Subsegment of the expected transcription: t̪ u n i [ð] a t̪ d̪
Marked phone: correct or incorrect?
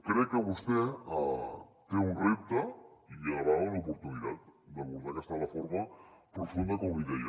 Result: correct